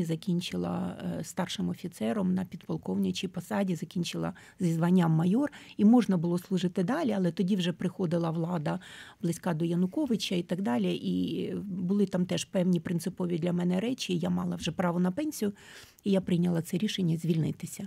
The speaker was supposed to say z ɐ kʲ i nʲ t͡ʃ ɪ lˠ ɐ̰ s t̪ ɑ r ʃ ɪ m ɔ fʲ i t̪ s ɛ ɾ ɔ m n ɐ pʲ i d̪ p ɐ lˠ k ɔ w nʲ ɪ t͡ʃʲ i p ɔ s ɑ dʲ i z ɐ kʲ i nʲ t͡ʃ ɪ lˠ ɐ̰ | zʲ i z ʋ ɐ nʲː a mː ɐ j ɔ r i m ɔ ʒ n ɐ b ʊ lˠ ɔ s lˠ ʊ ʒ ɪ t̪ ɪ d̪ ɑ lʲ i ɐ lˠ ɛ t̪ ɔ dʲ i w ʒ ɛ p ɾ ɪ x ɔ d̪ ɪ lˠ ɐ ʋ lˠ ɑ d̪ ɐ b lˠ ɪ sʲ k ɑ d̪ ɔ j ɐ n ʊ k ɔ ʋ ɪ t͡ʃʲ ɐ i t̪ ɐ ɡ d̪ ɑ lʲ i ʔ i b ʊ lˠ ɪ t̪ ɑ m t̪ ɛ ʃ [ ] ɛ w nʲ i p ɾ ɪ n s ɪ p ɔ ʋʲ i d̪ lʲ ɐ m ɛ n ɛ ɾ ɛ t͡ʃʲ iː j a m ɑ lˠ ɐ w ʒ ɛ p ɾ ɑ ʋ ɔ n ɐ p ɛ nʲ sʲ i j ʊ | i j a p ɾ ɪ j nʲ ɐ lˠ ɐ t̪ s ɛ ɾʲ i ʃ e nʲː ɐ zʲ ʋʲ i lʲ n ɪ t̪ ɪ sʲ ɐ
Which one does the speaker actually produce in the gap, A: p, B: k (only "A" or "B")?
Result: A